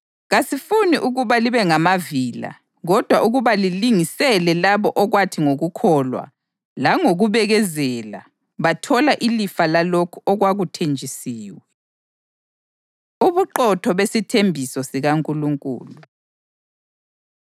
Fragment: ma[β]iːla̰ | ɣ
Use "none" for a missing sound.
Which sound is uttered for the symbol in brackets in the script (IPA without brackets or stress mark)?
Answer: v